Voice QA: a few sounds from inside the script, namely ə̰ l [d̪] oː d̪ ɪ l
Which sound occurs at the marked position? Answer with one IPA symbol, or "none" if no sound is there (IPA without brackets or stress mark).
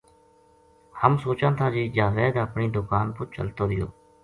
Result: t̪